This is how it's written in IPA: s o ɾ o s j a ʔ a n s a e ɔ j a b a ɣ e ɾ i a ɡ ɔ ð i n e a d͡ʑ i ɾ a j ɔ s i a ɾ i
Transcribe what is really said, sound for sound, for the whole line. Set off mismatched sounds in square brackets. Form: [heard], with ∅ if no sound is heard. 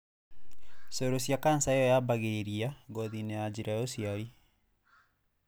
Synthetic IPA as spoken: s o ɾ o s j a [k] a n s a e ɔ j a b a ɣ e ɾ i a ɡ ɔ ð i n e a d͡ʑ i ɾ a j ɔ s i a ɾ i